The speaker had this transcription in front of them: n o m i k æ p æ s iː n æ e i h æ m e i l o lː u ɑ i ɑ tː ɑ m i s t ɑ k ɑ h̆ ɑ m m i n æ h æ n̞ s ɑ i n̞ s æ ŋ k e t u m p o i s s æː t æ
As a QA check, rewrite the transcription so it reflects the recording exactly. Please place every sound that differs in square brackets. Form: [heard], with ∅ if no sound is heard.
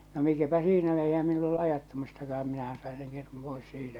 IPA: n o m i k æ p æ s iː n æ e i h æ m e i l o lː u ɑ [j] ɑ tː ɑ m i s t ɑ k ɑ h̆ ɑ m m i n æ h æ n̞ s ɑ i n̞ s [e] ŋ k e t u m p o i s s [iː] t æ